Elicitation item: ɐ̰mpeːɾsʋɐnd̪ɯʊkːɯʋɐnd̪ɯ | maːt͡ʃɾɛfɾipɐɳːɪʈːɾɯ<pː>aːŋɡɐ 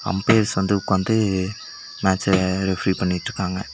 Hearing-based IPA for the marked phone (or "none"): kː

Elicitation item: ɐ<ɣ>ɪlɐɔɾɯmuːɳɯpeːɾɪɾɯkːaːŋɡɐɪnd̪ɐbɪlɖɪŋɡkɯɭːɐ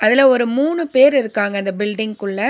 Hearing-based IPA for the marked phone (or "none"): ð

